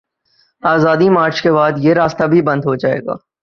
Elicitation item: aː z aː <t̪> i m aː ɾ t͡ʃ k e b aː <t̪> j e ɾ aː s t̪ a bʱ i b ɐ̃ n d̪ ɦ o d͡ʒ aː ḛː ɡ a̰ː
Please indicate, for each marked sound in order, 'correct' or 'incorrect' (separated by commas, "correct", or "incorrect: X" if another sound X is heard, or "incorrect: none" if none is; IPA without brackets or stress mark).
incorrect: d̪, incorrect: d̪